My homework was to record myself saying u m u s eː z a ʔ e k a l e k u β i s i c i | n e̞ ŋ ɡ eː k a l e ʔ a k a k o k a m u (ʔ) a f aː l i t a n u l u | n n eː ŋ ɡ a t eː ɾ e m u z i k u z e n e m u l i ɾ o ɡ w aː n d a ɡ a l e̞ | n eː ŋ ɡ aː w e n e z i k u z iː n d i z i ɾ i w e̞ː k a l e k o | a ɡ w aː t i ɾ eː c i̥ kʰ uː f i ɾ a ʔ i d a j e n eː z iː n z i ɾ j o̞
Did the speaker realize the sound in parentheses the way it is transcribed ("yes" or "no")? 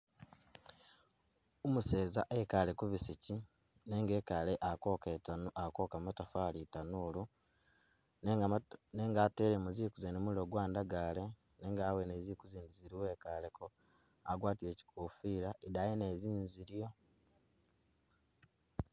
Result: no